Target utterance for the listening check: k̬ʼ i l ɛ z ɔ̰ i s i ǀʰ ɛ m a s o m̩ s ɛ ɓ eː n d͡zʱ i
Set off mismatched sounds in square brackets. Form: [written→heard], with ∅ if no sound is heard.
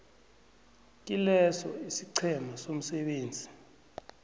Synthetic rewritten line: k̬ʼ i l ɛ [z→s] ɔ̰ i s i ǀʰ ɛ m a s o m̩ s ɛ ɓ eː n d͡zʱ i